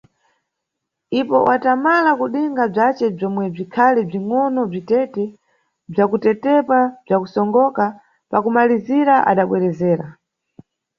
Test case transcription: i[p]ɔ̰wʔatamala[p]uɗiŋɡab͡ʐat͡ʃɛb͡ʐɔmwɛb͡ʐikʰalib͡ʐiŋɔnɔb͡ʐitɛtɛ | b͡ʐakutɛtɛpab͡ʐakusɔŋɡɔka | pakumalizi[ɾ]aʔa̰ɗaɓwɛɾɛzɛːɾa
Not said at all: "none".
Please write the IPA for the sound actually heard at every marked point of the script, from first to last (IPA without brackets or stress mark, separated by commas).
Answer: p, k, ɾ